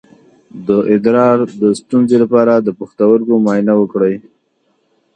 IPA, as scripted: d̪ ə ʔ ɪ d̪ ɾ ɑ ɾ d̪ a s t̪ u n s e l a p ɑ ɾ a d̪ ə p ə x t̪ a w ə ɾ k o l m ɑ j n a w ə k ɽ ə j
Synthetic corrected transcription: d̪ ə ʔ ɪ d̪ ɾ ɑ ɾ d̪ ə s t̪ u n z e l a p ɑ ɾ a d̪ ə p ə x t̪ a w ə ɾ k o m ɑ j n a w ə k ɽ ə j